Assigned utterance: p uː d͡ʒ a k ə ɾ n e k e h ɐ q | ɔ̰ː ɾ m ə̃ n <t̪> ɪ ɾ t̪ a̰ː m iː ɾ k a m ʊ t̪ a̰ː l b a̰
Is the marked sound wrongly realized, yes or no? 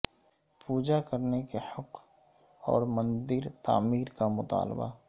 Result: yes